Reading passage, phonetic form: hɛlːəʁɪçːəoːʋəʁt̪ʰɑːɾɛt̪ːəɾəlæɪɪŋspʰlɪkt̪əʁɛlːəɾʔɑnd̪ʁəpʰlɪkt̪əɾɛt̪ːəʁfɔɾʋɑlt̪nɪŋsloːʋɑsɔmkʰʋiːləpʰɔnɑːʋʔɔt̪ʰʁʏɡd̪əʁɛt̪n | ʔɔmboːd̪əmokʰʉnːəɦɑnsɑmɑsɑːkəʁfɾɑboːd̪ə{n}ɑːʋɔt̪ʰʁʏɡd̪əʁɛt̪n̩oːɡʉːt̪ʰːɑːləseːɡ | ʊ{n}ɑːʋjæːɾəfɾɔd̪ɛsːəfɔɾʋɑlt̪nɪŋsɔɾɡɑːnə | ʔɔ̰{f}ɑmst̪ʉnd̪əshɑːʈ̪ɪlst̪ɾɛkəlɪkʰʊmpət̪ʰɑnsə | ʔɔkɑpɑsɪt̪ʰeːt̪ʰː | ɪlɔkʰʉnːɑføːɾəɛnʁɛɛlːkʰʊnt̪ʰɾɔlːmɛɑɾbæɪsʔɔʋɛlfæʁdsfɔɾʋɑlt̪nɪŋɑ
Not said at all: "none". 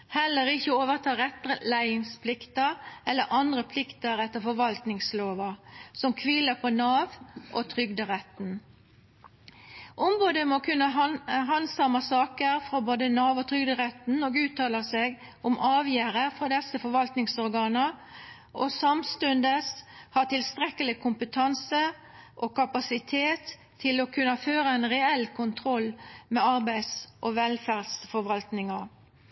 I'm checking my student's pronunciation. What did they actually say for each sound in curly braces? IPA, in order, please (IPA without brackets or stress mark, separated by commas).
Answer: n, m, s